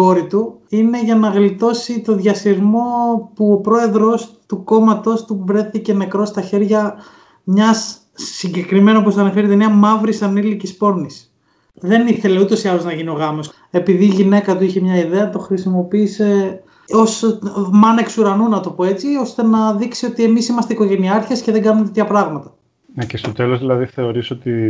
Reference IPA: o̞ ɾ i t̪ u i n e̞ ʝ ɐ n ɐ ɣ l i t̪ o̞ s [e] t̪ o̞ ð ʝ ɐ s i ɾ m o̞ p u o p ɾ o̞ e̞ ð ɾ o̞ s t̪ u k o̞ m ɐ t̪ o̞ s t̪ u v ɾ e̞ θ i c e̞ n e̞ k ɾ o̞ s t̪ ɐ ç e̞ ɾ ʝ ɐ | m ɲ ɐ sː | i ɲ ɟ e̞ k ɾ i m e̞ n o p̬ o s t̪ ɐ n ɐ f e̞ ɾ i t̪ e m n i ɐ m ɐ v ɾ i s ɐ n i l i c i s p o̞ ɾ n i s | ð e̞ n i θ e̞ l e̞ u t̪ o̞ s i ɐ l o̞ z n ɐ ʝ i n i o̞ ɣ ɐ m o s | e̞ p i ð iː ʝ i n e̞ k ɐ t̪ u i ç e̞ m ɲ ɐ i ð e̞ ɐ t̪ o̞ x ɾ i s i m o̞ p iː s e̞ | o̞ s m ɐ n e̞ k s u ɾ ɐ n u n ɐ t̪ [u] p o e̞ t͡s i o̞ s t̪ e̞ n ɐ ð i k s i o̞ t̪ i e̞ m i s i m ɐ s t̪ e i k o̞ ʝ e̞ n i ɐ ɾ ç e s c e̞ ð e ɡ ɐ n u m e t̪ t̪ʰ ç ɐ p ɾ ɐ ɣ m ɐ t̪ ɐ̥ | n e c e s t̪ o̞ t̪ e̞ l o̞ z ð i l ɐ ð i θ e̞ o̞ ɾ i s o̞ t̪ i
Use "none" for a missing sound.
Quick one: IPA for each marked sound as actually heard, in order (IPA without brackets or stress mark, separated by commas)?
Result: i, o